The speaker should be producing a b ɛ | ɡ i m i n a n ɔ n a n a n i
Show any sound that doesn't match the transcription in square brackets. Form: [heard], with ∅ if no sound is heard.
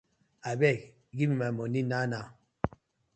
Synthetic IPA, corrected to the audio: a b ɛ | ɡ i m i [m] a [m] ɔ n [i] n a n [a]